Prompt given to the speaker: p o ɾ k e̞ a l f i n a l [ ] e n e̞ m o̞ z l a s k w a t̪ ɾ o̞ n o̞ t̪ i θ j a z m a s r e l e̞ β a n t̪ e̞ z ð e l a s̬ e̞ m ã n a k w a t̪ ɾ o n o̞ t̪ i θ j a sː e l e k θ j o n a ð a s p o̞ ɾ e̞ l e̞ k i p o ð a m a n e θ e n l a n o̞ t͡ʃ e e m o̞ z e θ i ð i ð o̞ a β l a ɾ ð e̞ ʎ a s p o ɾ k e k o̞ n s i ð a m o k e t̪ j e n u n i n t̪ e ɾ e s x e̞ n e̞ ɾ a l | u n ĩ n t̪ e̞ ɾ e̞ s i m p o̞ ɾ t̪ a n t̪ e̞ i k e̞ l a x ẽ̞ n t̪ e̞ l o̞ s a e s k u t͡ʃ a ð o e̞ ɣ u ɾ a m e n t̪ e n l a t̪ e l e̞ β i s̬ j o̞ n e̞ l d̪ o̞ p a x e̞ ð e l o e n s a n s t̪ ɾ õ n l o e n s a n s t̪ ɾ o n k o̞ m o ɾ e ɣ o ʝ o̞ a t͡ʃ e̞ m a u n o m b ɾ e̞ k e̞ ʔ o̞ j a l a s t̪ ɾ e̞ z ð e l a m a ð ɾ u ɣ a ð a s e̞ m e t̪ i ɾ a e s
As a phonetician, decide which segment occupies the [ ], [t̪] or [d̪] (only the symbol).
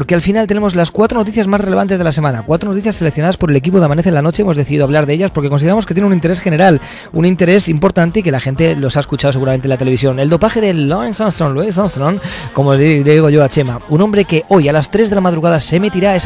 t̪